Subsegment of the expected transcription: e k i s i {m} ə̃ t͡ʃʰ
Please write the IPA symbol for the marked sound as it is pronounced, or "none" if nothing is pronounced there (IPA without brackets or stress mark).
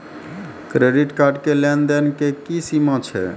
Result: m